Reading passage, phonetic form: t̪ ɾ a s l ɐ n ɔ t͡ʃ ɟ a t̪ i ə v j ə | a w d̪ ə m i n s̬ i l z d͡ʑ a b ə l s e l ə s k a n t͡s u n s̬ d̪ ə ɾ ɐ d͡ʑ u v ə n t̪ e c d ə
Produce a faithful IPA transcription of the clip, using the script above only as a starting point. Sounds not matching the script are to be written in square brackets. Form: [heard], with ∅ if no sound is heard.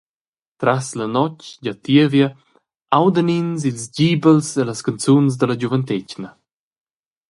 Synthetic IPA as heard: t̪ ɾ a s l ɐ n ɔ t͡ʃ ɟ a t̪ i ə v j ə | a w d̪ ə [n] i n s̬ i l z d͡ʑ [i] b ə l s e l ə s k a n t͡s u n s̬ d̪ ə [l] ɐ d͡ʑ u v ə n t̪ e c [n] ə